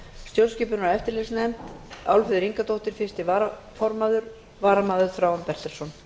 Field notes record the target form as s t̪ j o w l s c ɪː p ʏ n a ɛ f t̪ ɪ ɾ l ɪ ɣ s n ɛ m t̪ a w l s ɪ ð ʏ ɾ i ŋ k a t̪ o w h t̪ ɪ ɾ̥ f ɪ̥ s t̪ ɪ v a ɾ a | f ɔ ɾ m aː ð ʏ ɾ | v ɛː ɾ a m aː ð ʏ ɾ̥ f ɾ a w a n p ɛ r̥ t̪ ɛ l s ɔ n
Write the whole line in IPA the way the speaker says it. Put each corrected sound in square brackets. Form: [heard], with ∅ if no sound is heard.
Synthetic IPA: s t̪ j o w l s c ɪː p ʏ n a ɛ f t̪ ɪ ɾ l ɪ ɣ s n ɛ m t̪ a w l [f] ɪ ð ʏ ɾ i ŋ k a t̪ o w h t̪ ɪ ɾ̥ f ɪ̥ s t̪ ɪ v a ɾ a | f ɔ ɾ m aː ð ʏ ɾ | v [aː] ɾ a m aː ð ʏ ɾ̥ f ɾ a w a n p ɛ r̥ t̪ ɛ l s ɔ n